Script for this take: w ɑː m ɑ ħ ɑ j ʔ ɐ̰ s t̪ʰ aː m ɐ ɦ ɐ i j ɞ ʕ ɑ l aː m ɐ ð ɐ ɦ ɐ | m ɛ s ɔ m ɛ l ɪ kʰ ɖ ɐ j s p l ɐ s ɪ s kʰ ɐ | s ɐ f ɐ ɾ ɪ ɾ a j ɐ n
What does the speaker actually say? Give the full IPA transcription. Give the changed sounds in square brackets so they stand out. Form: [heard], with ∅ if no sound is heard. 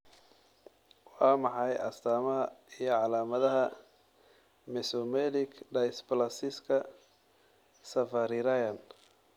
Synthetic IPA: w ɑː m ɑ ħ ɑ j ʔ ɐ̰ s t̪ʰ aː m ɐ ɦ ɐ i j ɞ ʕ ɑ l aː m ɐ ð ɐ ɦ ɐ | m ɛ s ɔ m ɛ l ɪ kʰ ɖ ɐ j s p l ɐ s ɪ s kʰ ɐ | s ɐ f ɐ ɾ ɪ ɾ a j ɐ n